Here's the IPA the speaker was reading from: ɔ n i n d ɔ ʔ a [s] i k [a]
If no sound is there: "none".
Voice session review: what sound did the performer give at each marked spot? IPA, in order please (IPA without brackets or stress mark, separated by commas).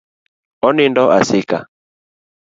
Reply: s, a